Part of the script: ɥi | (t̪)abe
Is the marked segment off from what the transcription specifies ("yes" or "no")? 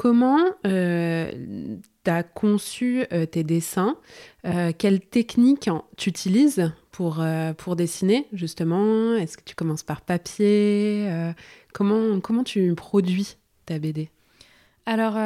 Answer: no